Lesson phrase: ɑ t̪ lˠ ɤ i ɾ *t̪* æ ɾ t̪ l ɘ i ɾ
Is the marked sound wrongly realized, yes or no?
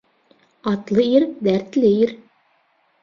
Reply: yes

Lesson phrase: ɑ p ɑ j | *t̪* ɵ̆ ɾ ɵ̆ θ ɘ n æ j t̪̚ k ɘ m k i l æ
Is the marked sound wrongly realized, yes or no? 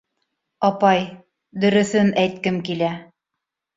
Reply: yes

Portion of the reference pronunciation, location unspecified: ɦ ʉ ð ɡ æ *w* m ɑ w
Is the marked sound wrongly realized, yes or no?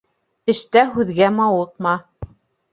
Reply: yes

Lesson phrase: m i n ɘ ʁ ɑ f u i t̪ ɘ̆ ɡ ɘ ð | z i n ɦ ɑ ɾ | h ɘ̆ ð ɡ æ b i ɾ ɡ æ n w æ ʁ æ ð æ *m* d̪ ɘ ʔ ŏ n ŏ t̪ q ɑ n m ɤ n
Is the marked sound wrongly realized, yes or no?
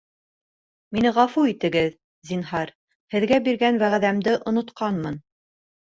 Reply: no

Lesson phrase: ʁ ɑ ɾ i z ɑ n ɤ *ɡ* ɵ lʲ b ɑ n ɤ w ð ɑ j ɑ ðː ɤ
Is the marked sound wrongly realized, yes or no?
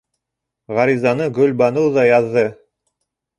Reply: no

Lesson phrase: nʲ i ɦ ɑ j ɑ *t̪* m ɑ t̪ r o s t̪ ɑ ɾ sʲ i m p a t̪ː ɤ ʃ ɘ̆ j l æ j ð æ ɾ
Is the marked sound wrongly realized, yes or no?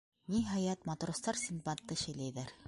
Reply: no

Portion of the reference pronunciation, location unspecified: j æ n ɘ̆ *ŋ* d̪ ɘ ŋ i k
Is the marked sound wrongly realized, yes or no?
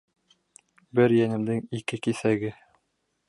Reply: yes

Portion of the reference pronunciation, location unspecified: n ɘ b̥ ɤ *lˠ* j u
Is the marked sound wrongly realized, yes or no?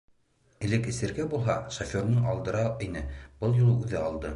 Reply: no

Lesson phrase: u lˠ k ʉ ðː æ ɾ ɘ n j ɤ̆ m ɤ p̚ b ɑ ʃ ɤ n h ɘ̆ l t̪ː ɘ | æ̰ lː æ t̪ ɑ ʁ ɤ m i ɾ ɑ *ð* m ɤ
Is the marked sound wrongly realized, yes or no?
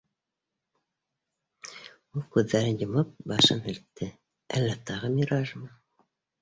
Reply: yes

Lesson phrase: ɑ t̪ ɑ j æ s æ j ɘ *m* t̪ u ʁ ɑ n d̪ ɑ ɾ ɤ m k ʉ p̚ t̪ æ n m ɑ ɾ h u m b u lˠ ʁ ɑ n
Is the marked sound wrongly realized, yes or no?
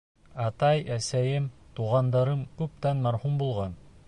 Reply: no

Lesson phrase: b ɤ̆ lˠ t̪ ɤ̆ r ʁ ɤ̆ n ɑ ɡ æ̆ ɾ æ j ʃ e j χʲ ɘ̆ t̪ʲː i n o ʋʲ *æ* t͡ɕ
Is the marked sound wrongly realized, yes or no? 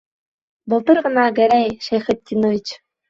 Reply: yes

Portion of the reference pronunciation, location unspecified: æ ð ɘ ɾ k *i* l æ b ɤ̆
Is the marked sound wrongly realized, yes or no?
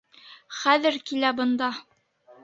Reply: no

